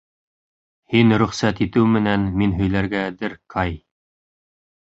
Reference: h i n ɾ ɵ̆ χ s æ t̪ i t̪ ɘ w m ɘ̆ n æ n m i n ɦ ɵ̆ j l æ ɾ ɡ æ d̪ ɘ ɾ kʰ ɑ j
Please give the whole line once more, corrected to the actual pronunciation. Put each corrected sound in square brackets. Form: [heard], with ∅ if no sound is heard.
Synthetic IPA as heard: h i n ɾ ɵ̆ χ s æ t̪ i t̪ ɘ w m ɘ̆ n æ n m i n ɦ ɵ̆ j l æ ɾ ɡ æ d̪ ɘ ɾ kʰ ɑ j